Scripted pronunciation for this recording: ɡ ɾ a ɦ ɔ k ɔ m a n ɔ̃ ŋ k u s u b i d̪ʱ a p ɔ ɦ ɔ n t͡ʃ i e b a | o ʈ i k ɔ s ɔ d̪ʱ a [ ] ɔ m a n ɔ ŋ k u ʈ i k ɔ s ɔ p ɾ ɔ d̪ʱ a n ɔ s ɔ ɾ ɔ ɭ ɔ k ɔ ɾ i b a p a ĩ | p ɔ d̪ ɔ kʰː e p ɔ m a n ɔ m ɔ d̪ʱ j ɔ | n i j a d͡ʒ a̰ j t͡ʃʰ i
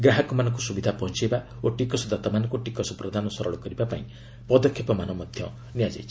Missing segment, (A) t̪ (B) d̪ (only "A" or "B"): A